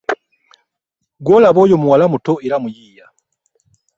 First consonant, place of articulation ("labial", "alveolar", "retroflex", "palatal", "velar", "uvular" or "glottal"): velar